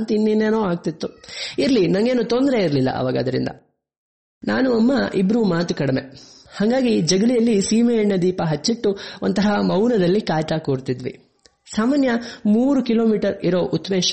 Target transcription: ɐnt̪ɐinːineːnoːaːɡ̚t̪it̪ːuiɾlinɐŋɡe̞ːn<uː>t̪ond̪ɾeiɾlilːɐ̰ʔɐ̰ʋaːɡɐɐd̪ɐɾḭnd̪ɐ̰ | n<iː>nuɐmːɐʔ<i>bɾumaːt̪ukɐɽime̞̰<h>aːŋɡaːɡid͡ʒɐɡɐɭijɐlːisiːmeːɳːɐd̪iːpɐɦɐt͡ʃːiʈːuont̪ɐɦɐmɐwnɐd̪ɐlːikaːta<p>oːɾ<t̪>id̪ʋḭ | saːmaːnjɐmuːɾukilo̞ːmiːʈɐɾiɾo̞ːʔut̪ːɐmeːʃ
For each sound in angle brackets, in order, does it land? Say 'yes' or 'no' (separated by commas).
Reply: no, no, yes, yes, no, yes